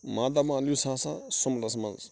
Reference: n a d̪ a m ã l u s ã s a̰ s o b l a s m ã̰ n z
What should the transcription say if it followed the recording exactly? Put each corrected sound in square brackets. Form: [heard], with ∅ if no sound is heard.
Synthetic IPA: [m] a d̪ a m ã l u s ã s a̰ s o [m] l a s m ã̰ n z